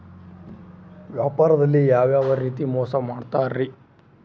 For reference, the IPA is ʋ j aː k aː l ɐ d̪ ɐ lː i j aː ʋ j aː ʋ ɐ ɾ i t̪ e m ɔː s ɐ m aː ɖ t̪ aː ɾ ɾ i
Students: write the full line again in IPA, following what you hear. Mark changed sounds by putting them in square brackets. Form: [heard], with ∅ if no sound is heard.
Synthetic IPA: ʋ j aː [p] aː [ɾ] ɐ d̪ ɐ lː i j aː ʋ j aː ʋ ɐ ɾ [iː] t̪ [i] m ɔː s ɐ m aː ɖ t̪ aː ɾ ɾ i